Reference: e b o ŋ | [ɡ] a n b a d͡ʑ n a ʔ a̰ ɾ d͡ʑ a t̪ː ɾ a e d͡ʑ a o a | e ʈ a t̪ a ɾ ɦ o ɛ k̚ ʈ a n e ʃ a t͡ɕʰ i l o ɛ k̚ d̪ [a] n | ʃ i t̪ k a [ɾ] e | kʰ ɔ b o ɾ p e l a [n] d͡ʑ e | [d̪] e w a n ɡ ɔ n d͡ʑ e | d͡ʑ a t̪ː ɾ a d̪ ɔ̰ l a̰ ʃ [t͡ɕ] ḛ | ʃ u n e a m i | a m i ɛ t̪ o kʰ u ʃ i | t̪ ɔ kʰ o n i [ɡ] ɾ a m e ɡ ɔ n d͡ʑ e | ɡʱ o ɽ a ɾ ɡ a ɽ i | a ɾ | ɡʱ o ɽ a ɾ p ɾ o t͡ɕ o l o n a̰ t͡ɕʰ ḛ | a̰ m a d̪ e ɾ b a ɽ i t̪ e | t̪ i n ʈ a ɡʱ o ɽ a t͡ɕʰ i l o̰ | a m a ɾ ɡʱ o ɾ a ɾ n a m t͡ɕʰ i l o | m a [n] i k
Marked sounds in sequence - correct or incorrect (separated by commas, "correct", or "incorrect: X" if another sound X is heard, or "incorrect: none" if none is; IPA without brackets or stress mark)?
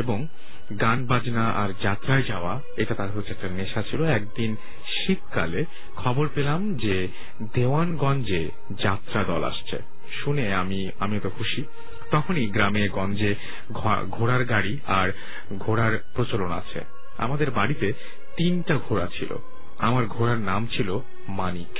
correct, incorrect: i, incorrect: l, incorrect: m, correct, incorrect: t͡ɕʰ, correct, correct